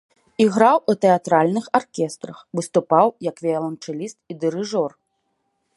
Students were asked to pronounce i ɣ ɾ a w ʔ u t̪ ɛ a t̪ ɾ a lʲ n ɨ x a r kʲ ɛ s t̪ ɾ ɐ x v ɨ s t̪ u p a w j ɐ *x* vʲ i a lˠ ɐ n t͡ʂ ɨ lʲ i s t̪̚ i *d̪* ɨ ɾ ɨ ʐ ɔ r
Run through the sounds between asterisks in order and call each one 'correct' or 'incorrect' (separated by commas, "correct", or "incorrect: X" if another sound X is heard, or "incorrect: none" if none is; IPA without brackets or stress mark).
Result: incorrect: k, correct